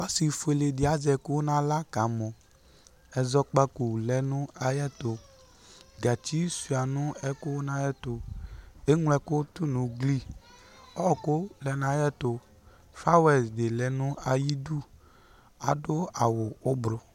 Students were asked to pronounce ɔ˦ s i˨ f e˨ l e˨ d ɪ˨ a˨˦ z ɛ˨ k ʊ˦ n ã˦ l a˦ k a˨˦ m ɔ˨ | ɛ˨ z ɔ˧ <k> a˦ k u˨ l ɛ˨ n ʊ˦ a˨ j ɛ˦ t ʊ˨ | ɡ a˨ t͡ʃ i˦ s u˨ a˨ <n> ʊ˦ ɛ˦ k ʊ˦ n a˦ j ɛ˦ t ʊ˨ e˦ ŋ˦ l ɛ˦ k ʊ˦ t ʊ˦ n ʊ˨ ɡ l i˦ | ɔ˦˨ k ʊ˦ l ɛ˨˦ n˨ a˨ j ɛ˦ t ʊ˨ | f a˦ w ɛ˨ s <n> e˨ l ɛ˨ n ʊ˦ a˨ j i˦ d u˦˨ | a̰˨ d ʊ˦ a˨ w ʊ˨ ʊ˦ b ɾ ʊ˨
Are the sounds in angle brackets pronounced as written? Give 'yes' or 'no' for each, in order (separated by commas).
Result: no, yes, no